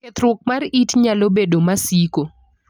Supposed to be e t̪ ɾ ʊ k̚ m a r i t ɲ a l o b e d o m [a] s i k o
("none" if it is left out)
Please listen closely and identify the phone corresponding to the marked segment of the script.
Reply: a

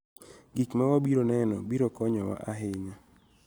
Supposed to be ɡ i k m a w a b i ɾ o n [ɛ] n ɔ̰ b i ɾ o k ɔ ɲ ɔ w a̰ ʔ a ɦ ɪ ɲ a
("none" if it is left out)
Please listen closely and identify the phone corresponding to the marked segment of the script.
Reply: ɛ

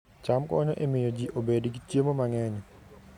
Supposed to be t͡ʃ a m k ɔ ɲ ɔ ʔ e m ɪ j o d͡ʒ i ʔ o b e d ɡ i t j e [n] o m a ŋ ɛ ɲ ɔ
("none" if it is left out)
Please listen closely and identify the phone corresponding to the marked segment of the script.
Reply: m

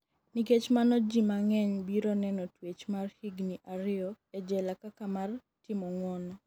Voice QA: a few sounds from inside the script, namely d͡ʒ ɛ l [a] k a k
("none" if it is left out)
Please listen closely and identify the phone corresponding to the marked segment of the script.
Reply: a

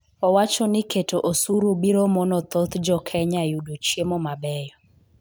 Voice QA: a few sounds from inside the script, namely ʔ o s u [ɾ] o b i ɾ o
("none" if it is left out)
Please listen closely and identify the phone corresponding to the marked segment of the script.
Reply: ɾ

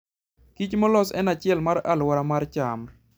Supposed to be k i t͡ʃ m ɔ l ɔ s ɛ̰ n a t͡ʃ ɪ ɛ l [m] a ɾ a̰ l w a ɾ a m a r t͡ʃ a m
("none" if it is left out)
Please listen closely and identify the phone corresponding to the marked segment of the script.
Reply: m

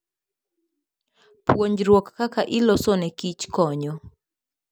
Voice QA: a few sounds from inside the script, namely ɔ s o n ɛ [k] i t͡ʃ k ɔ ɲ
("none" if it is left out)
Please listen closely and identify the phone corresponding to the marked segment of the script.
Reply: k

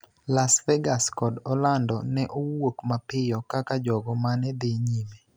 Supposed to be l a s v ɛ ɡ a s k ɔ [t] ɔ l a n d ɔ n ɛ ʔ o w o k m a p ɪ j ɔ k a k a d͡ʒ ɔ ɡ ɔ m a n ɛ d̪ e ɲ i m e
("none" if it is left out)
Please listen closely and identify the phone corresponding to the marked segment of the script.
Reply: d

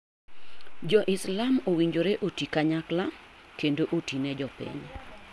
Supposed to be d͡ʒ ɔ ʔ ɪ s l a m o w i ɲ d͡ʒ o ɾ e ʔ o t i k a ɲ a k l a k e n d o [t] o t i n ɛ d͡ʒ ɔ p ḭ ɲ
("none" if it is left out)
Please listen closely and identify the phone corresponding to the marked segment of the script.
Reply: ʔ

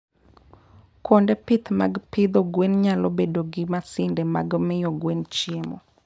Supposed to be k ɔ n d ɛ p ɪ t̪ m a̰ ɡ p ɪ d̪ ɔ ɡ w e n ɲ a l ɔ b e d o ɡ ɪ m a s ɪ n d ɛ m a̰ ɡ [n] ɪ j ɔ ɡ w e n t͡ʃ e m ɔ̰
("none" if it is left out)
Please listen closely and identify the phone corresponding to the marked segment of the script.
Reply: m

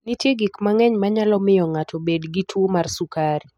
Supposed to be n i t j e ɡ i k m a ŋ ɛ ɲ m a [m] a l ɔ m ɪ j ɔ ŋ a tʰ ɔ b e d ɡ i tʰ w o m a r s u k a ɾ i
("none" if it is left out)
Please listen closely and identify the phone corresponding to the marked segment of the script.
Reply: ɲ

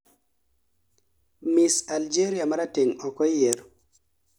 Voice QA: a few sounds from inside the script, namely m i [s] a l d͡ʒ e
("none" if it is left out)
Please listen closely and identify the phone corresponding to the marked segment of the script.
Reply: s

